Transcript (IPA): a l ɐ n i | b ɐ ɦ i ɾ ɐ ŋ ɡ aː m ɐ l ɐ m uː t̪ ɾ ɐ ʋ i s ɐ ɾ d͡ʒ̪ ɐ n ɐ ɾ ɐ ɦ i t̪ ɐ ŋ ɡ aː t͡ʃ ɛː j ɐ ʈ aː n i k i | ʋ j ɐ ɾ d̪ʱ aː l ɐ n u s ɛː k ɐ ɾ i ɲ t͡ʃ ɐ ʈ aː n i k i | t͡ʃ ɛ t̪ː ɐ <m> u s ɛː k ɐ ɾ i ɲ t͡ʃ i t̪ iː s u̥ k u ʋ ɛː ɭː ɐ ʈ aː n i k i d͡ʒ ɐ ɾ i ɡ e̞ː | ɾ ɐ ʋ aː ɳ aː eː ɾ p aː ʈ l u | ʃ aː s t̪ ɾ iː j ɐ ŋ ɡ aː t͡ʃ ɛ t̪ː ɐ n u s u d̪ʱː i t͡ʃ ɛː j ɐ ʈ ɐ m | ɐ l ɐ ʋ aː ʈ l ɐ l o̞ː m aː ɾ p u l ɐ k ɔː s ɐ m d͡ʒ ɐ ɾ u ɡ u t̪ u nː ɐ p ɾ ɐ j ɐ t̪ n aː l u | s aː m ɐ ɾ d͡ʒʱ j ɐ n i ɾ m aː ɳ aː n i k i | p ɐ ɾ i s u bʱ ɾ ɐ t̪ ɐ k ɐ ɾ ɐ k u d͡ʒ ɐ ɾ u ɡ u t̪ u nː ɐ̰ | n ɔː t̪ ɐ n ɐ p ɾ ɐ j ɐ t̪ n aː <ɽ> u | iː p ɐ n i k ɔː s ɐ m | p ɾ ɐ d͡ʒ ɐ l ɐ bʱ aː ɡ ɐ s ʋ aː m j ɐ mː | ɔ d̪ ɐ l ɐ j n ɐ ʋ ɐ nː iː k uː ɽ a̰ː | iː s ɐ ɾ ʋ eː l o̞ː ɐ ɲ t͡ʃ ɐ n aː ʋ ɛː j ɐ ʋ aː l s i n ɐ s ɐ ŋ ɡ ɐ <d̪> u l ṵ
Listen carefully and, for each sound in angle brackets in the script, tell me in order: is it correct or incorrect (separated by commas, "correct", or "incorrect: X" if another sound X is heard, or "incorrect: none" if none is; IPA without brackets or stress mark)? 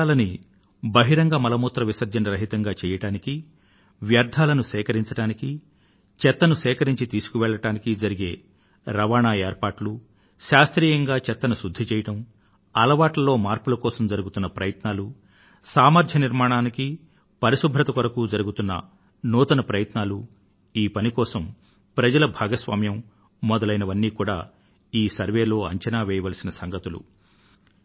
incorrect: n, incorrect: l, incorrect: t̪